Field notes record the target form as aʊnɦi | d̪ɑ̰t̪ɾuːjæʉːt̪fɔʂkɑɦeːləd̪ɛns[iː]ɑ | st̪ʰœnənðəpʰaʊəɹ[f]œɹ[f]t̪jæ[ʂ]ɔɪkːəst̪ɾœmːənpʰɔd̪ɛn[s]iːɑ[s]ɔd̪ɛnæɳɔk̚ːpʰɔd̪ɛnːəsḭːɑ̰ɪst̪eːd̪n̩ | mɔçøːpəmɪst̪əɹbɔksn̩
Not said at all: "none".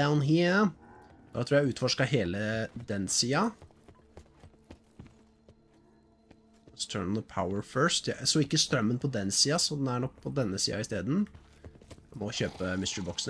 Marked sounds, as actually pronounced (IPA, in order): iː, f, s, s, s, s

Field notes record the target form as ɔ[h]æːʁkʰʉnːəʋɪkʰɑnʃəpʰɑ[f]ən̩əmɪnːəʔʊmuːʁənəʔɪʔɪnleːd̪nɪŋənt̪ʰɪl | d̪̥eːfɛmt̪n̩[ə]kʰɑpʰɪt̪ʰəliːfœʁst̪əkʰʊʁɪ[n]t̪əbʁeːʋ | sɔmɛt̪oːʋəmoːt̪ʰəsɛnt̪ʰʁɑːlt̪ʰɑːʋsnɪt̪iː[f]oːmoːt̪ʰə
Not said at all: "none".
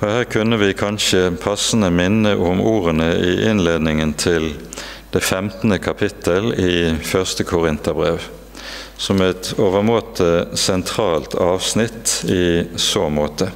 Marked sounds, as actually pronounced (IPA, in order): h, s, ə, n, s

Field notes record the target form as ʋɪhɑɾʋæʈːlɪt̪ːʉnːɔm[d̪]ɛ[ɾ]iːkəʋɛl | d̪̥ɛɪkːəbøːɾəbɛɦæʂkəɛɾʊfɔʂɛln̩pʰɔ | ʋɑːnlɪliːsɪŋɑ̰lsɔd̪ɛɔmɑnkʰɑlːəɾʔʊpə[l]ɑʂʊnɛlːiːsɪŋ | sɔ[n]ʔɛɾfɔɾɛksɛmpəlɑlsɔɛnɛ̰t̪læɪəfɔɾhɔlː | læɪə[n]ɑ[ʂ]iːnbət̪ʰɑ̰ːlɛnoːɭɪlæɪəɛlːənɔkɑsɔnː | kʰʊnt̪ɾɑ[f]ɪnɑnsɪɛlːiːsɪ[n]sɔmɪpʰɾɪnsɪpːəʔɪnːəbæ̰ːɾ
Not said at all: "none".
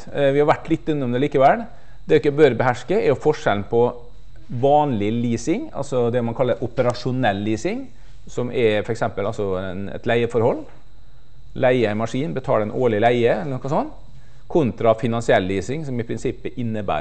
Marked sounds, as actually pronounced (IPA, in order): d̪, l, ɾ, m, m, ʂ, f, ŋ

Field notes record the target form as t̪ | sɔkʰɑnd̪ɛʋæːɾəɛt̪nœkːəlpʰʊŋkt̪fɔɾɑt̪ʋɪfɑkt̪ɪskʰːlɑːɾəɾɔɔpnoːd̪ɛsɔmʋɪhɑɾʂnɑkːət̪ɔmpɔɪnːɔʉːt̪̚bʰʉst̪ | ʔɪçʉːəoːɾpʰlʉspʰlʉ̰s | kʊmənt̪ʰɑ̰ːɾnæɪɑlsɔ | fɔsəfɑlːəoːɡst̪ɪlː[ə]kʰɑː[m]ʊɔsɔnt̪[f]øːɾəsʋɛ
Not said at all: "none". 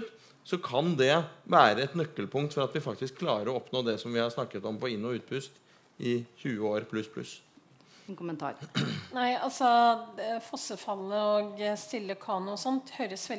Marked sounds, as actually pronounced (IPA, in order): ə, n, h

